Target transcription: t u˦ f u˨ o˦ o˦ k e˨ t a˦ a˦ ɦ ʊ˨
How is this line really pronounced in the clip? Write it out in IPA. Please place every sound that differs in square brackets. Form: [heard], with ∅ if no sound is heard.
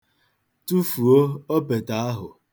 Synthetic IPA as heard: t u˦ f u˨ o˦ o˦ [p] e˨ t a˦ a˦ ɦ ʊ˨